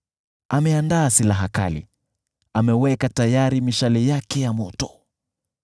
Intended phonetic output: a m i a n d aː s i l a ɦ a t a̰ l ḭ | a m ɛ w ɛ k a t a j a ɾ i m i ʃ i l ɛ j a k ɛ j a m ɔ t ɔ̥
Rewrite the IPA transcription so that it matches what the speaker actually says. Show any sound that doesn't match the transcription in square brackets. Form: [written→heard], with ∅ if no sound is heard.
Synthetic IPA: a m [i→ɛ] a n d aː s i l a ɦ a [t→k] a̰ l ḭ | a m ɛ w ɛ k a t a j a ɾ i m i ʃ [i→a] l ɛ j a k ɛ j a m ɔ t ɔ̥